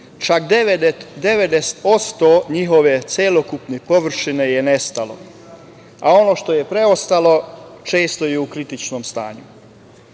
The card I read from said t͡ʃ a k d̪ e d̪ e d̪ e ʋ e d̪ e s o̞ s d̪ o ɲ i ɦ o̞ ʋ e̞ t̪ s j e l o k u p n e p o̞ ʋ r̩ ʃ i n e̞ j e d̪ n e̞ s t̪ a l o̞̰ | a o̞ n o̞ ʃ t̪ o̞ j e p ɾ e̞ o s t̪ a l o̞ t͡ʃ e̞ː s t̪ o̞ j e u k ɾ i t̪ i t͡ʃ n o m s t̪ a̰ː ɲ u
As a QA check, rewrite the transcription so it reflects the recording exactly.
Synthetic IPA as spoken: t͡ʃ a k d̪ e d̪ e d̪ e ʋ e d̪ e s o̞ s t̪ o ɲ i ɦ o̞ ʋ e̞ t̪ s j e l o k u p n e p o̞ ʋ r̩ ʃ i n e̞ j e n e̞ s t̪ a l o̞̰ | a o̞ n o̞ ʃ t̪ o̞ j e p ɾ e̞ o s t̪ a l o̞ t͡ʃ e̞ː s t̪ o̞ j e u k ɾ i t̪ i t͡ʃ n o m s t̪ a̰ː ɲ u